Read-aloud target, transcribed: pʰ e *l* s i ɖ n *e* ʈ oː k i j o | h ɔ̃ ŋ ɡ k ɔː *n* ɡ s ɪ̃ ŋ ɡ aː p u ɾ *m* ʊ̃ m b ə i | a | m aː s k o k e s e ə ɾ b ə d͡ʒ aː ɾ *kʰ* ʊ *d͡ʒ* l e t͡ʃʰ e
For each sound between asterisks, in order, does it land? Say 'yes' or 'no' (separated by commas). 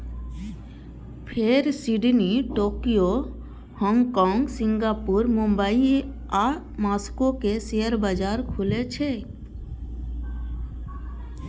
no, no, no, yes, yes, no